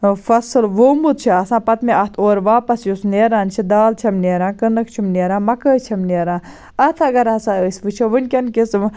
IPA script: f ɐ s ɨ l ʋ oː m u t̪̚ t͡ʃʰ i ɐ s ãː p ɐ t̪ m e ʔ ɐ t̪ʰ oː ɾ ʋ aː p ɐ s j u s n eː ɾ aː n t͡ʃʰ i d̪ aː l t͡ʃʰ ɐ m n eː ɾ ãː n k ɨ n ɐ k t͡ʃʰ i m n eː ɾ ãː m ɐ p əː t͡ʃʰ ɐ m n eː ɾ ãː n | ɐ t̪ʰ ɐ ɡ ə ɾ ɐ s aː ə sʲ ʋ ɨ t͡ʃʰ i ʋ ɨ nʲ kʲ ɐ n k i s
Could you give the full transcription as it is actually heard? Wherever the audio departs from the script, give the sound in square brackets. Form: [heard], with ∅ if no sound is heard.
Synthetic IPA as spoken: f ɐ s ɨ l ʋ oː m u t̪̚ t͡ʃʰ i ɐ s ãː p ɐ t̪ m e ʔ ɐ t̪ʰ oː ɾ ʋ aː p ɐ s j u s n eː ɾ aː n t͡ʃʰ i d̪ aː l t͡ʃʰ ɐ m n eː ɾ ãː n k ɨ n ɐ k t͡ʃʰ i m n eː ɾ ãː m ɐ [k] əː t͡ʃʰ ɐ m n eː ɾ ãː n | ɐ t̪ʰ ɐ ɡ [ɐ] ɾ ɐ s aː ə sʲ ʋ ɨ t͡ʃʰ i ʋ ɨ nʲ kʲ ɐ n k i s